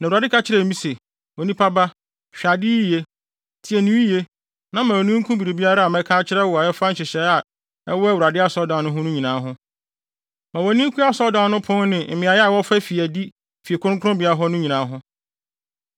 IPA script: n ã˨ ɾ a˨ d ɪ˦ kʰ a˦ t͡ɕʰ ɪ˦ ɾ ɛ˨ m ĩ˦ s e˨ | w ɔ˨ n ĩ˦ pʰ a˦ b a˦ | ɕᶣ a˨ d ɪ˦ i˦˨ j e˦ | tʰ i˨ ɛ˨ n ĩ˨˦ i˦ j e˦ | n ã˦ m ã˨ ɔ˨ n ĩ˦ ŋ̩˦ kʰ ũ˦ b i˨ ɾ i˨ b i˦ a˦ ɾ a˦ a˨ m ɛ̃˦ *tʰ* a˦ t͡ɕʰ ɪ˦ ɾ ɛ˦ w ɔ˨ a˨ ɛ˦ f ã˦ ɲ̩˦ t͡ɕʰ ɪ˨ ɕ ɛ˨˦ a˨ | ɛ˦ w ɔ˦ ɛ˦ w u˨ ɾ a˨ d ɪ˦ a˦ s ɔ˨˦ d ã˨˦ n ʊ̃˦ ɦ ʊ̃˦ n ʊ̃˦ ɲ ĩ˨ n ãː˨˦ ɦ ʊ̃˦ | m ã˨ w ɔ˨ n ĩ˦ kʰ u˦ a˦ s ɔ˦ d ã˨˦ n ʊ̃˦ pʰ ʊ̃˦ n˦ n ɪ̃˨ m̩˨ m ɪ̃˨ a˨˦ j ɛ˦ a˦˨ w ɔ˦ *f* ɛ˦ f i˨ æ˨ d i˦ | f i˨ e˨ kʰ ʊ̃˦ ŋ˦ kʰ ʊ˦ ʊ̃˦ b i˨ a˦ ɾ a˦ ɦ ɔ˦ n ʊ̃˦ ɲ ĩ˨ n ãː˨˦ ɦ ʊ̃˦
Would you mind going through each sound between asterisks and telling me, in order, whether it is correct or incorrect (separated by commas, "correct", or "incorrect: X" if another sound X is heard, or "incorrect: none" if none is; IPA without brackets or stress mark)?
incorrect: kʰ, correct